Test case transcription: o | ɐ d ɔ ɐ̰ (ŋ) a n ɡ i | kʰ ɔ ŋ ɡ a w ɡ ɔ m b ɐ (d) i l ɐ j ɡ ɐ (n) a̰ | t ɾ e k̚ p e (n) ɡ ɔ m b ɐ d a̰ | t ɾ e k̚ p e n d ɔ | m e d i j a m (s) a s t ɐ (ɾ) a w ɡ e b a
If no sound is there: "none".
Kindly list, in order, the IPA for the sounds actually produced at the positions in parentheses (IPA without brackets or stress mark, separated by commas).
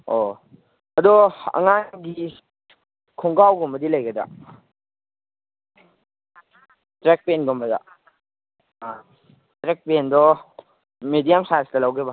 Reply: ŋ, d, d, n, s, l